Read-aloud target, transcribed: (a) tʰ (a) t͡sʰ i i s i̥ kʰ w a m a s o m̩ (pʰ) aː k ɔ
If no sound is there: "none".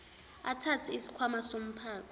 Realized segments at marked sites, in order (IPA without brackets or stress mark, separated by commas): a, a, pʰ